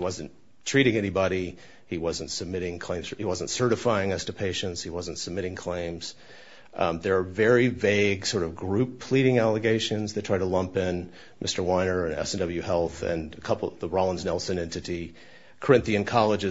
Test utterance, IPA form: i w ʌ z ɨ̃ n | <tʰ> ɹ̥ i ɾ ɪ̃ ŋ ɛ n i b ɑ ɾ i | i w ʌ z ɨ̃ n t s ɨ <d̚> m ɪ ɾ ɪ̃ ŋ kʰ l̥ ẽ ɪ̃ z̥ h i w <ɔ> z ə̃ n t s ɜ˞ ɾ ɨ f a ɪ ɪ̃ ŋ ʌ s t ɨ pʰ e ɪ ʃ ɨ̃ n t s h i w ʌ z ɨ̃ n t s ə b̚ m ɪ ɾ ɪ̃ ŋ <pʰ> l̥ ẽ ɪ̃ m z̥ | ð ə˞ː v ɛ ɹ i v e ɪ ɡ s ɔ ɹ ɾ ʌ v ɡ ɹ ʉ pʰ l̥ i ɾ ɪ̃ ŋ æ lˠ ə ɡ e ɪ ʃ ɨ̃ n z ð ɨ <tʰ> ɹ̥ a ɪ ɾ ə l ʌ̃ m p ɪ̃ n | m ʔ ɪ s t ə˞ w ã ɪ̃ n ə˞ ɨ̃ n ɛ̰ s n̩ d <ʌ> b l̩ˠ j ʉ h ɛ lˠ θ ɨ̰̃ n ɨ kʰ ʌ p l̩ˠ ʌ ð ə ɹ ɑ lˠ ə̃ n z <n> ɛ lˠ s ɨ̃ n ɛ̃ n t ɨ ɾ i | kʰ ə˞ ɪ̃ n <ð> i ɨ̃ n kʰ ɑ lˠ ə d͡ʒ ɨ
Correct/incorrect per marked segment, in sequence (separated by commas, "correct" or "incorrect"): correct, incorrect, incorrect, incorrect, correct, correct, correct, incorrect